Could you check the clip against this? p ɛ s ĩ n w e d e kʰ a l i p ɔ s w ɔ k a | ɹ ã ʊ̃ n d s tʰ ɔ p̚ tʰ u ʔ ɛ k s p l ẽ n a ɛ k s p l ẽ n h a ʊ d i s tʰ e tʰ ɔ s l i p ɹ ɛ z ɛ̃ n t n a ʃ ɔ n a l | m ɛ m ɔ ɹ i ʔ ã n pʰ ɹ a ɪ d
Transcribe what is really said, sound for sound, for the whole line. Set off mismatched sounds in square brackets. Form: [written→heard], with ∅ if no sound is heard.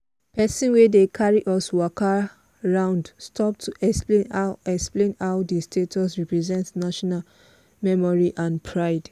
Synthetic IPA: p ɛ s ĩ n w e d e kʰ a [l→ɹ] i [p→ʔ] ɔ s w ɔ k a | ɹ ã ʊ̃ n d s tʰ ɔ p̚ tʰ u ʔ ɛ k s p l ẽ n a ɛ k s p l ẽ n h a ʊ d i s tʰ e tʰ ɔ s [l→ɹ] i p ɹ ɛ z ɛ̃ n t n a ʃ ɔ n a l | m ɛ m ɔ ɹ i ʔ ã n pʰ ɹ a ɪ d